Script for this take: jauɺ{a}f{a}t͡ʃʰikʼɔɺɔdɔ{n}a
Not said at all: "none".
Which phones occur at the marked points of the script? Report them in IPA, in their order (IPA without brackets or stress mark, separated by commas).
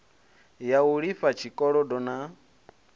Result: i, a, n